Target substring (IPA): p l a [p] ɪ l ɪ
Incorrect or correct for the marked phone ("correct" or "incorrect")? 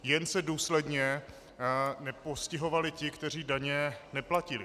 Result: incorrect